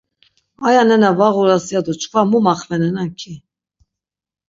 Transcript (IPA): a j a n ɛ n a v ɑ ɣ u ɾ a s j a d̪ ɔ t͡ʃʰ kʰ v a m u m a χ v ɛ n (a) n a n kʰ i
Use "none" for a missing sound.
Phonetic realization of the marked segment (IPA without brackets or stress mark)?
ɛ